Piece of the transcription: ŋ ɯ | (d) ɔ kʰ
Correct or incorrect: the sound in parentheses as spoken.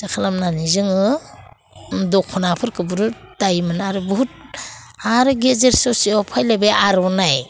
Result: correct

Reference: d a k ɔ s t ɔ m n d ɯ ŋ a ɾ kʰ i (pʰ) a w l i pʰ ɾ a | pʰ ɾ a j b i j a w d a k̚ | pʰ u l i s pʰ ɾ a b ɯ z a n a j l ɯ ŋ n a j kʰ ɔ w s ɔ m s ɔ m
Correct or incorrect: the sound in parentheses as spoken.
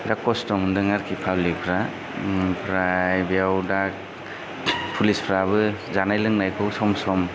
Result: correct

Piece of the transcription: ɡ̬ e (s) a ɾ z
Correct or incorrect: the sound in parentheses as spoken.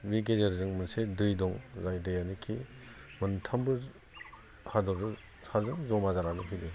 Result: incorrect: z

